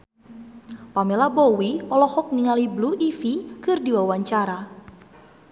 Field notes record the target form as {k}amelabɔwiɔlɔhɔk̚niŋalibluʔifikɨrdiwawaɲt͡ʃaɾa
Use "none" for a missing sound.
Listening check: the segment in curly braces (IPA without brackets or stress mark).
p